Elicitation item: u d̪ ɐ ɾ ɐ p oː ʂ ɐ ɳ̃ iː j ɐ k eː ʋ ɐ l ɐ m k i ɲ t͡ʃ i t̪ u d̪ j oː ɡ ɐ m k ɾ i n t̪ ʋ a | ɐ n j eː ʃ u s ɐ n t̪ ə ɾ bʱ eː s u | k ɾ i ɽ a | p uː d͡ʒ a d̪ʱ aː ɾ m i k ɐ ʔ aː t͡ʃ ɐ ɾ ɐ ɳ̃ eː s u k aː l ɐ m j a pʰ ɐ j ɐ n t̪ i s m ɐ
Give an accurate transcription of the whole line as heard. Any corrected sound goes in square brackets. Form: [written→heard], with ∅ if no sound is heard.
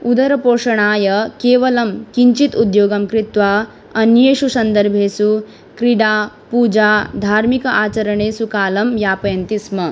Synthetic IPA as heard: u d̪ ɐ ɾ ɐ p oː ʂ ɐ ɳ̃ [iː→aː] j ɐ k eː ʋ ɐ l ɐ m k i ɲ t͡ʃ i t̪ u d̪ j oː ɡ ɐ m k ɾ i [n→∅] t̪ ʋ a | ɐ n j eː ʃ u s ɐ n [t̪→d̪] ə ɾ bʱ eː s u | k ɾ i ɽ a | p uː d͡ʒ a d̪ʱ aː ɾ m i k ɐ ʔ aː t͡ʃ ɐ ɾ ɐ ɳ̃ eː s u k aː l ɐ m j a [pʰ→p] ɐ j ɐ n t̪ i s m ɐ